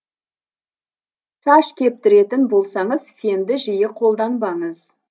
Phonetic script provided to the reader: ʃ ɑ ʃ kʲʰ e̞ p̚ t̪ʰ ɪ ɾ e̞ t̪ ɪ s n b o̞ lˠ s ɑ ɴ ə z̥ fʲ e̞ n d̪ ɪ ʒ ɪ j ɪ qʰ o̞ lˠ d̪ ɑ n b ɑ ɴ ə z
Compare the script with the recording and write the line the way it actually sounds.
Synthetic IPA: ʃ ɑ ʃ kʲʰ e̞ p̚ t̪ ɪ ɾ e̞ t̪ ɪ n b o̞ lˠ s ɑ ɴ ə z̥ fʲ e̞ n d̪ ɪ ʒ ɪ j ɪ qʰ o̞ lˠ d̪ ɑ n b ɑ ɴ ə z